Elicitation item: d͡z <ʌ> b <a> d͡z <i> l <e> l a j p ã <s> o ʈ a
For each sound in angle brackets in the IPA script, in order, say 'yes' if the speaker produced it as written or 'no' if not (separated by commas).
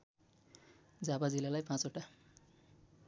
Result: no, yes, yes, no, no